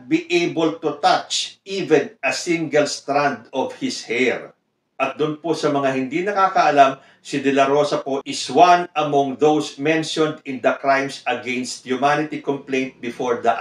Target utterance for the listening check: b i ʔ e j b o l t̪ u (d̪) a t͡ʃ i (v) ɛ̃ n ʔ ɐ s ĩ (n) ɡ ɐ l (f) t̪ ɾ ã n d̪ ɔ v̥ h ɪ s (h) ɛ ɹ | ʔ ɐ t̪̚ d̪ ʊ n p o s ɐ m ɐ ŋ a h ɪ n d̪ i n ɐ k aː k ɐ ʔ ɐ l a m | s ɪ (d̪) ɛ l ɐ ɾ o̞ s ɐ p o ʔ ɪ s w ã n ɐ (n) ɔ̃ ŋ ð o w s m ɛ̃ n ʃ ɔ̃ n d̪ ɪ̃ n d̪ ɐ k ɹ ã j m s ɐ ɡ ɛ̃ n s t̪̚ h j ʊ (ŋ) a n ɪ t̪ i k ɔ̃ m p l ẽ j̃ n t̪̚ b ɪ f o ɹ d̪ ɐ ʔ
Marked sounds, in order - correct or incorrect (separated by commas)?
incorrect, correct, incorrect, incorrect, correct, correct, incorrect, incorrect